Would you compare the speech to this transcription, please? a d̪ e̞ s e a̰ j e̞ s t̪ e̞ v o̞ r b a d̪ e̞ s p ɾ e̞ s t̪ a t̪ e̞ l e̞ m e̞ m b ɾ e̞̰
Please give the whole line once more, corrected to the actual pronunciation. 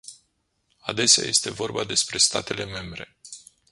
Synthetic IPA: a d̪ e̞ s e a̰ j e̞ s t̪ e̞ v o̞ r b a d̪ e̞ s p ɾ e̞ s t̪ a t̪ e̞ l e̞ m e̞ m b ɾ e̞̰